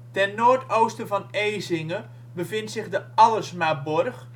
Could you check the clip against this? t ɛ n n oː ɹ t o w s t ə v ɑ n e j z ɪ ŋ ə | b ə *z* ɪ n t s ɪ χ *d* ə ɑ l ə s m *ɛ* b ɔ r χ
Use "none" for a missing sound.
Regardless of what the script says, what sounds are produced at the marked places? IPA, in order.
v, d, a

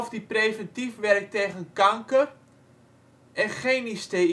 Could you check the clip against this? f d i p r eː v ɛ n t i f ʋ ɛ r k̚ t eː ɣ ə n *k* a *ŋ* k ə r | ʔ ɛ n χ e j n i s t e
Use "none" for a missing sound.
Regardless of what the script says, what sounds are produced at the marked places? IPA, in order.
k, ŋ

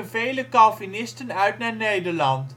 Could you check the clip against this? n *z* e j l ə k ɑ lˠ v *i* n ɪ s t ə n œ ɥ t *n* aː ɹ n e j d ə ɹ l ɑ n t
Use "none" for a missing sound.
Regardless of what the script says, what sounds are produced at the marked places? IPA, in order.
v, i, n

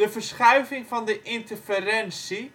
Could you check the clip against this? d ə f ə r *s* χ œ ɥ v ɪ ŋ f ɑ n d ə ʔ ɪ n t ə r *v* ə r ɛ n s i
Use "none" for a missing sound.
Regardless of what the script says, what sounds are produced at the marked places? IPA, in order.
s, f

